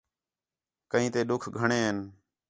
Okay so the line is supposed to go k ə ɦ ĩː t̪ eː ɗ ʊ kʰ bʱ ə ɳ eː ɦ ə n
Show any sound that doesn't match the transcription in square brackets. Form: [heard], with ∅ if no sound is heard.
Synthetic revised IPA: k ə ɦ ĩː t̪ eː ɗ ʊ kʰ [ɡʱ] ə ɳ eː ɦ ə n